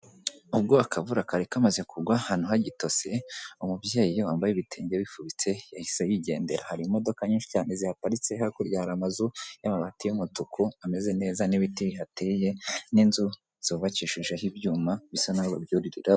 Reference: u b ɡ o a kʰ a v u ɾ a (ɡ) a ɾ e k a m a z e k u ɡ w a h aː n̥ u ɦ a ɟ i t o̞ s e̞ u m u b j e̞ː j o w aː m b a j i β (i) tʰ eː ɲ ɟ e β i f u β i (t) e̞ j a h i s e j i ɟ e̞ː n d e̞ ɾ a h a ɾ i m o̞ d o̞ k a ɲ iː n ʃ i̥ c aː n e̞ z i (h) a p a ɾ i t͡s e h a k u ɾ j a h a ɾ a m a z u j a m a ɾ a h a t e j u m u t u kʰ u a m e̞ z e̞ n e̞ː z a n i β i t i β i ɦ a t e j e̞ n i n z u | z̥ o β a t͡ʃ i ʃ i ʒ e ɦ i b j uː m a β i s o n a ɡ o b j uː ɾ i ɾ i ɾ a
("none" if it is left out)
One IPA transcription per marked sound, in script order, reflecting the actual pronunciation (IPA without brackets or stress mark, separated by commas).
k, i, t͡s, h